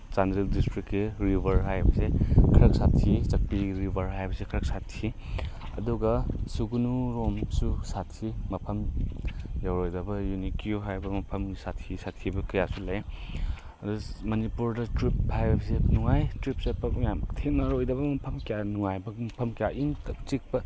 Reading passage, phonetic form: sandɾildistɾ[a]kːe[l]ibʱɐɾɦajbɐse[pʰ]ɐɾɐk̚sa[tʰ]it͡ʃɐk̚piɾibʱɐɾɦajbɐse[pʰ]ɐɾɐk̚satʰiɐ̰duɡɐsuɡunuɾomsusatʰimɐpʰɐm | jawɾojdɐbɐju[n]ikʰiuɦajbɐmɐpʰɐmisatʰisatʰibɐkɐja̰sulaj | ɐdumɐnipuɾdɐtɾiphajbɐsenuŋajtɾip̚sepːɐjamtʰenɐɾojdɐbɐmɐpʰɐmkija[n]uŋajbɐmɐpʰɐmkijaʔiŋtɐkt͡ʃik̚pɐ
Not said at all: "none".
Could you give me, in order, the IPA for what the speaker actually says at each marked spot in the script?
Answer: i, ɾ, kʰ, tʰ, kʰ, n, n

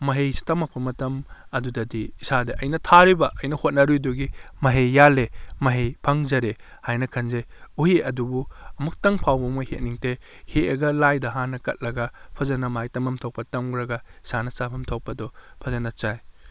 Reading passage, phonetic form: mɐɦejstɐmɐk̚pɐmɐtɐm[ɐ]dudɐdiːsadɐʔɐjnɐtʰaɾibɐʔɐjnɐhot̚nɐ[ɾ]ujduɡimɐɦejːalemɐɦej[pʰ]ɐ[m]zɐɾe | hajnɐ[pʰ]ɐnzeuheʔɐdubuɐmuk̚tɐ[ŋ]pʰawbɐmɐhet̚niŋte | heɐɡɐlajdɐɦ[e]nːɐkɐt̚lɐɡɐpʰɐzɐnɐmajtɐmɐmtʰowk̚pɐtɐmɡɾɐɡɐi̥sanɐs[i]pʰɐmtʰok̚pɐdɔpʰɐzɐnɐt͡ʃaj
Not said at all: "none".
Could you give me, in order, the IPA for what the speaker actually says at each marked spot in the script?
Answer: ɐ, ɾ, pʰ, ŋ, kʰ, ŋ, a, a

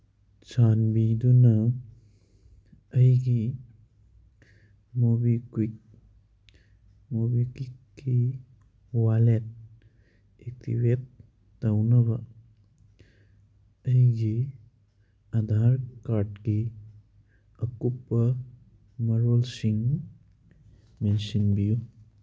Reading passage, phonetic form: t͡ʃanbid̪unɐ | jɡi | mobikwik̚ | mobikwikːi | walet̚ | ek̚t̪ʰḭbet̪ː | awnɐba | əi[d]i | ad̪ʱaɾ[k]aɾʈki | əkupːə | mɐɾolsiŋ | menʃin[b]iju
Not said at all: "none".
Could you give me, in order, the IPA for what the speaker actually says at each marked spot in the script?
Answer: ɡ, k, b

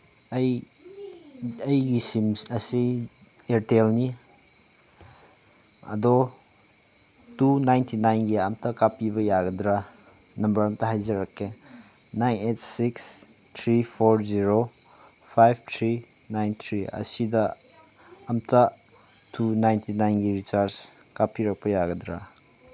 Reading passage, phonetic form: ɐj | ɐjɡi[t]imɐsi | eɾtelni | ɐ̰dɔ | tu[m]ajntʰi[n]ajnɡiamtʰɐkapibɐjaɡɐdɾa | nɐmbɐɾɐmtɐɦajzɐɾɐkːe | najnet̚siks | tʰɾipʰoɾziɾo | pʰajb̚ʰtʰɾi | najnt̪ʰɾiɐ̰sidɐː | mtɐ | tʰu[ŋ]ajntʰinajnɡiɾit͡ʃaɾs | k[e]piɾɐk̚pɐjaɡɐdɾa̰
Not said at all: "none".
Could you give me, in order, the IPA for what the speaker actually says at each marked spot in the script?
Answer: s, n, n, n, a

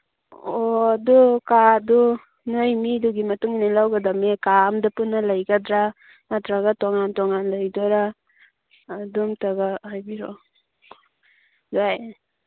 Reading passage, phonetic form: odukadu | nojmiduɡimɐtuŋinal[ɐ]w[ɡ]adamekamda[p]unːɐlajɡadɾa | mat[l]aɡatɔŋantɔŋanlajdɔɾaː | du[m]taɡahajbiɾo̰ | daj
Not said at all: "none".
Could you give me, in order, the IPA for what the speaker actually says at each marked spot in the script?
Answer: a, ɡ, p, ɾ, m

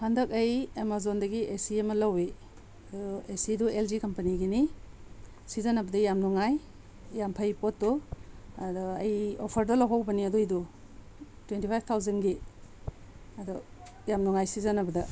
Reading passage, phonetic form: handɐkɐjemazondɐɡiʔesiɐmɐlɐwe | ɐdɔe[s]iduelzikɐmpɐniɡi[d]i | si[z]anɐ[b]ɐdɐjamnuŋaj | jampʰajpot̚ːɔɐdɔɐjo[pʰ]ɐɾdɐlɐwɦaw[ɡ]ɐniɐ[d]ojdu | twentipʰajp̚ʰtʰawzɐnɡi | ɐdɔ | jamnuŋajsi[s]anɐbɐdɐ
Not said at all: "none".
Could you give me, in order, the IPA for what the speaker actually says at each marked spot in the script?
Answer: s, n, z, b, pʰ, b, d, z

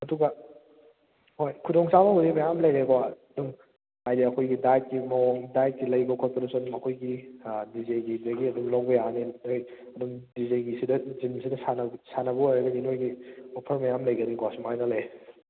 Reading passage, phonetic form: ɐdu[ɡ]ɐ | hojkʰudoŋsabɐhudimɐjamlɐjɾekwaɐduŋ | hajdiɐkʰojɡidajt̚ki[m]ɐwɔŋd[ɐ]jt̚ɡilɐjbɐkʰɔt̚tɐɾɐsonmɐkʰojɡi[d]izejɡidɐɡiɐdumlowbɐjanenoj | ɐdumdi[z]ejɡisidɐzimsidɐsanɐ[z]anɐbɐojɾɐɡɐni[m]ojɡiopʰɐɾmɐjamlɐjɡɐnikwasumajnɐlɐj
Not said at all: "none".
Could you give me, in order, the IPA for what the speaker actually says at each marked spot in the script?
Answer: ɡ, m, a, d, z, s, n

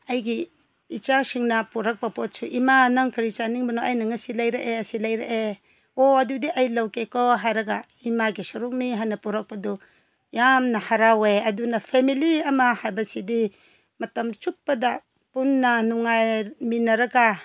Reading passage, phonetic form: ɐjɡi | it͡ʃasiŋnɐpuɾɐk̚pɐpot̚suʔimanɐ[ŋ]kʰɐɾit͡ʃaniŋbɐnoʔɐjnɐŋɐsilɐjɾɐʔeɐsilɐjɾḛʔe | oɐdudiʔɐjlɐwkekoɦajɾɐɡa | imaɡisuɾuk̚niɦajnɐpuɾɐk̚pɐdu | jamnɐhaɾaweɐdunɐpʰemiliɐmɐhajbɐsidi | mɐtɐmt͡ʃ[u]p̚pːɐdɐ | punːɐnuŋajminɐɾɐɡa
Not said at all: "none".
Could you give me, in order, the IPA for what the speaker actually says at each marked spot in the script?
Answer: ŋ, u

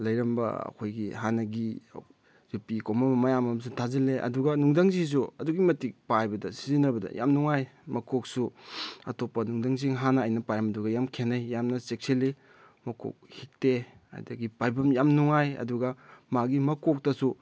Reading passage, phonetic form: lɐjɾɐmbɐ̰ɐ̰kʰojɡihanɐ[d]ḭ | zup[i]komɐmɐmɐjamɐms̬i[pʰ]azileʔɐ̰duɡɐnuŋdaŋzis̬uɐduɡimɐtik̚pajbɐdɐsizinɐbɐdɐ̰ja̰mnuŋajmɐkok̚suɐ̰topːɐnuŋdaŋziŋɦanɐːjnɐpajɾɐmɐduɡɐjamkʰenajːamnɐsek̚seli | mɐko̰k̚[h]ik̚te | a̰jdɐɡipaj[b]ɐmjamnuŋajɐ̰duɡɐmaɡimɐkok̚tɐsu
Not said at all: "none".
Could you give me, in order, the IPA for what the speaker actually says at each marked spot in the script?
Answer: ɡ, i, tʰ, h, b

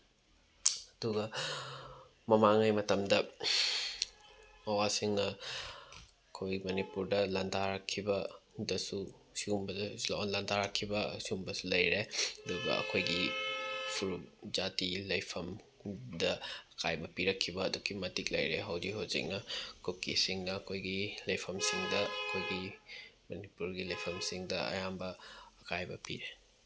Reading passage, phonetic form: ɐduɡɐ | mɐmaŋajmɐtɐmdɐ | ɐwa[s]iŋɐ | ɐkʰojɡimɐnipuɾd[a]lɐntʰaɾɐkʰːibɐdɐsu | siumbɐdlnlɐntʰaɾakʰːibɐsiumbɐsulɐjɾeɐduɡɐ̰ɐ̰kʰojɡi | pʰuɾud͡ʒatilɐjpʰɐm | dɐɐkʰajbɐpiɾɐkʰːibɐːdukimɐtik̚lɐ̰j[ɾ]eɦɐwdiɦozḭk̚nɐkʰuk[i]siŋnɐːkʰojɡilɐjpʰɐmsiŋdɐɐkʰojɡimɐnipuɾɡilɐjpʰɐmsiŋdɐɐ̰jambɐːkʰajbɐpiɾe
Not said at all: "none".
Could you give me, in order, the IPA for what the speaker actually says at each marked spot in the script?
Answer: s, ɐ, ɾ, i

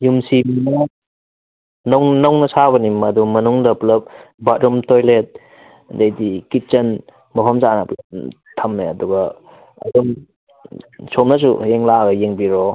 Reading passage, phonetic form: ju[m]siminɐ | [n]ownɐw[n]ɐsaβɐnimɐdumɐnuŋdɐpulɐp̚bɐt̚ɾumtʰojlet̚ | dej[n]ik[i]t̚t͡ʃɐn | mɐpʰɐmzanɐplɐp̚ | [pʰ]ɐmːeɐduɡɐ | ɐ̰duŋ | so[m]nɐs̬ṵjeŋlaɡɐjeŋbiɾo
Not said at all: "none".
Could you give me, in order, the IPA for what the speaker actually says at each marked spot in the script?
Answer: m, n, n, d, i, tʰ, m

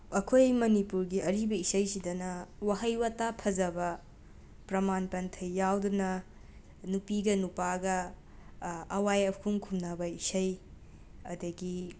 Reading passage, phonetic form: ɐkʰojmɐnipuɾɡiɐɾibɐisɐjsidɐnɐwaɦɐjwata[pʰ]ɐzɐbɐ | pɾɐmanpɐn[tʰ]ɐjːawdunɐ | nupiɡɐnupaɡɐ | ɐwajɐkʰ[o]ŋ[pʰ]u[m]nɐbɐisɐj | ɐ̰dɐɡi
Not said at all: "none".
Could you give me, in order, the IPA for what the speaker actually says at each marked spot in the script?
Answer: pʰ, tʰ, u, kʰ, m

